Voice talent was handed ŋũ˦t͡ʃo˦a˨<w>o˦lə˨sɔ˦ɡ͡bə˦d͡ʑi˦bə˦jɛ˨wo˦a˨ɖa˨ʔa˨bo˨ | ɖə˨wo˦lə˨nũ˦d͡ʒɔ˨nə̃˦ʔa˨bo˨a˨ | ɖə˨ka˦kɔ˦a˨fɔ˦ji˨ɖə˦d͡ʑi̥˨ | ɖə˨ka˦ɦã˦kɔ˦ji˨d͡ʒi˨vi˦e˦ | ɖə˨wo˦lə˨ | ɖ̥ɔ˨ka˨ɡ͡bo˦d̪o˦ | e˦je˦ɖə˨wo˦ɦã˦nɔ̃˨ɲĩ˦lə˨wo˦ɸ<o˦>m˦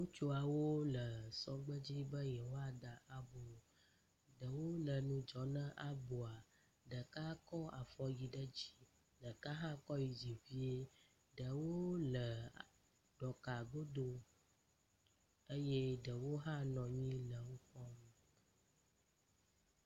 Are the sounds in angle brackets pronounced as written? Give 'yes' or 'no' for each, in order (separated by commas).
yes, no